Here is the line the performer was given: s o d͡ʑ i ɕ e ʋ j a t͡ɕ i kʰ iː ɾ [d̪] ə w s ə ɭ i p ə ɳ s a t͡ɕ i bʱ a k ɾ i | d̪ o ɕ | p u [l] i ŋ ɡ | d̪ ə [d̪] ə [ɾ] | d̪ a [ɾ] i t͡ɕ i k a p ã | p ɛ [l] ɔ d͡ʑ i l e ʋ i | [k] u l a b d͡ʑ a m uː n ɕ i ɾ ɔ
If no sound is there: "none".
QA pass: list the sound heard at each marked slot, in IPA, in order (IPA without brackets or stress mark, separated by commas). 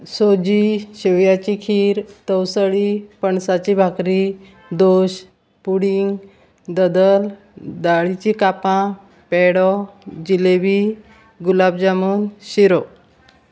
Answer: t̪, ɽ, d̪, l, ɭ, ɽ, ɡ